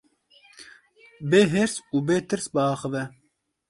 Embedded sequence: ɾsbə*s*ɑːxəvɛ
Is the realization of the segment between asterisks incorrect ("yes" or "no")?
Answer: yes